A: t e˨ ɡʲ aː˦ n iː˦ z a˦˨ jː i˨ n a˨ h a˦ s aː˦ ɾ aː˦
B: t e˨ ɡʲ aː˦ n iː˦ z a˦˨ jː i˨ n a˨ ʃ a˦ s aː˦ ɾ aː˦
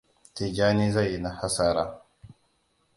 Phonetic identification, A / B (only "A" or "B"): A